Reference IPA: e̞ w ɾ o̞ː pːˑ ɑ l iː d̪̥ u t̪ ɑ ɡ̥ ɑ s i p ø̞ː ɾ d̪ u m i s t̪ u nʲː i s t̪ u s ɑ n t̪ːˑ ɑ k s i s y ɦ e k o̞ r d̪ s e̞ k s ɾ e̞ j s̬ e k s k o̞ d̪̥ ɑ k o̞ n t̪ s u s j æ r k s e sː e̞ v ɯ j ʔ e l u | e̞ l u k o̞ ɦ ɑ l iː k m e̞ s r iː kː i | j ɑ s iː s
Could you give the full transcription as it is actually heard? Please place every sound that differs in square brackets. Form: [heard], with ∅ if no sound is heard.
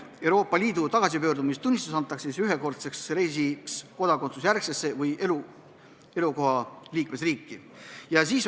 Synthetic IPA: e̞ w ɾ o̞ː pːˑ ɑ l iː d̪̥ u t̪ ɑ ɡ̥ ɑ s i p ø̞ː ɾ d̪ u m i s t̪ u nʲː i s t̪ u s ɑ n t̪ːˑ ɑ k s i s y ɦ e k o̞ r [t̪] s e̞ k s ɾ e̞ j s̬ [i] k s k o̞ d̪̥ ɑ k o̞ n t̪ s u s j æ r k s e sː e̞ v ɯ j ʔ e l u | e̞ l u k o̞ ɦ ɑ l iː k m e̞ s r iː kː i | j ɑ s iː s